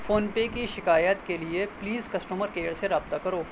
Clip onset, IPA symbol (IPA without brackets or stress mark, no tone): f